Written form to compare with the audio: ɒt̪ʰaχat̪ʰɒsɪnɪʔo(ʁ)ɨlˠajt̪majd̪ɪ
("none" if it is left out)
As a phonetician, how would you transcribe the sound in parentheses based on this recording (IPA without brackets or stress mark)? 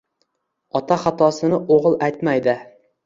ʁ